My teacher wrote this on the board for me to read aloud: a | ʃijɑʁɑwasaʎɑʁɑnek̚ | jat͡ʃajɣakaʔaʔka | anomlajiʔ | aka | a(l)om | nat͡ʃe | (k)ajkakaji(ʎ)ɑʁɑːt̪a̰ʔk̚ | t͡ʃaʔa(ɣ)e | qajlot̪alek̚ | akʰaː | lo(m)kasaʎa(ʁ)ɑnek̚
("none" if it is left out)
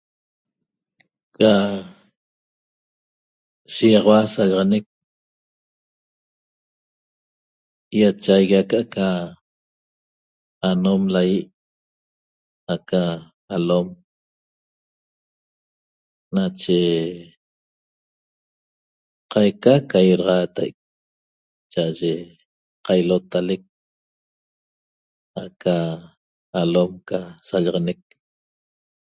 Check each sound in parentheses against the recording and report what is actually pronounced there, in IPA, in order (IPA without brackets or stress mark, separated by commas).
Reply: l, q, ɾ, ʒ, m, ʁ